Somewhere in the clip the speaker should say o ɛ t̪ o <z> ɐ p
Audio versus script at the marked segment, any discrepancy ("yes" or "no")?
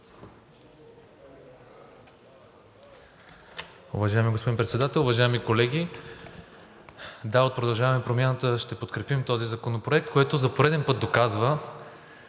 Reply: no